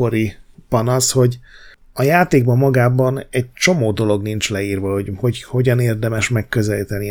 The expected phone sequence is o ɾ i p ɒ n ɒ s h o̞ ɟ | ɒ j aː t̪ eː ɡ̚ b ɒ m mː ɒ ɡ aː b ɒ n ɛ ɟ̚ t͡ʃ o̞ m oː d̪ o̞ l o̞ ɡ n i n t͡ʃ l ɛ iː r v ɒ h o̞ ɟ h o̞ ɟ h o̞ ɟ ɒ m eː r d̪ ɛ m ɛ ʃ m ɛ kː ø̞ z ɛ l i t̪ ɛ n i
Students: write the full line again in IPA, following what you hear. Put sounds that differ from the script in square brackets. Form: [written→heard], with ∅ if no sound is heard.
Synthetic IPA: o ɾ i p ɒ n ɒ s h o̞ ɟ | ɒ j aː t̪ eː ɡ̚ b ɒ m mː ɒ ɡ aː b ɒ n ɛ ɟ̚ t͡ʃ o̞ m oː d̪ o̞ l o̞ ɡ n i n t͡ʃ l ɛ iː r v ɒ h o̞ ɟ h o̞ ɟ h o̞ ɟ ɒ [m→n] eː r d̪ ɛ m ɛ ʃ m ɛ kː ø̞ z ɛ l i t̪ ɛ n i